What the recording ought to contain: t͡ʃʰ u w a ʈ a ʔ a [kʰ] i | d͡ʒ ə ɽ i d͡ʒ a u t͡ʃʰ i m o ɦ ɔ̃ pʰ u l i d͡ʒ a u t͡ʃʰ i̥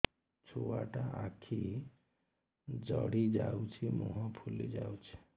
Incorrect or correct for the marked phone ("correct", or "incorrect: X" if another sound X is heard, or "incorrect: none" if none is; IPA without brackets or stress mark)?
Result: correct